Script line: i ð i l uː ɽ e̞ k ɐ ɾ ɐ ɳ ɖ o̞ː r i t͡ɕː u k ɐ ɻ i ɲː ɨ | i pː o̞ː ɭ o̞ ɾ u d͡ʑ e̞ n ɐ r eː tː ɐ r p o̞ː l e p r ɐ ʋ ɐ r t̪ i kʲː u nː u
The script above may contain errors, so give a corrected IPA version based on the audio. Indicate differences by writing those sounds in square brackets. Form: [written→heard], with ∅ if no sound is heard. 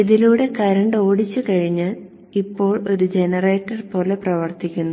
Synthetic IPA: i ð i l uː ɽ e̞ k ɐ ɾ ɐ ɳ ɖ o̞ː [r→ɽ] i t͡ɕː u k ɐ ɻ i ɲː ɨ | i pː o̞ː ɭ o̞ ɾ u d͡ʑ e̞ n ɐ r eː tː ɐ r p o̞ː l e p r ɐ ʋ ɐ r t̪ i kʲː u nː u